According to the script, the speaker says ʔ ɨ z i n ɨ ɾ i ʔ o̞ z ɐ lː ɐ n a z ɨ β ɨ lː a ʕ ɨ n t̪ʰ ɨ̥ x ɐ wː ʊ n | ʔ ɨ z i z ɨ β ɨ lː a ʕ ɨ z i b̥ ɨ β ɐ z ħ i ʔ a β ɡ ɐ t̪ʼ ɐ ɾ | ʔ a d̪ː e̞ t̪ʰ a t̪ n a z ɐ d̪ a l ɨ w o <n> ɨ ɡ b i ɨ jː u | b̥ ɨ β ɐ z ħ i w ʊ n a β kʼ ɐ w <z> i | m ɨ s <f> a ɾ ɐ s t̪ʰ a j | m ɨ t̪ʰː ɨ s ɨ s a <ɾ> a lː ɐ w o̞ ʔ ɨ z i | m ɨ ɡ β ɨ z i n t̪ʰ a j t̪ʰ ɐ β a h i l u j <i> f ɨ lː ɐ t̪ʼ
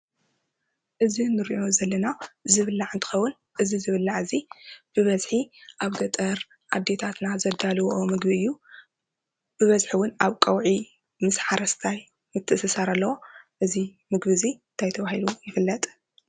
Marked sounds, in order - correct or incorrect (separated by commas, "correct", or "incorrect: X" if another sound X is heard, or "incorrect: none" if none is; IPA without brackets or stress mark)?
incorrect: m, incorrect: ʕ, incorrect: ħ, correct, incorrect: ɪ